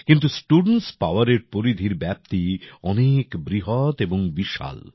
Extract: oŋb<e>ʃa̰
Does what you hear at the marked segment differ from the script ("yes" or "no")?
yes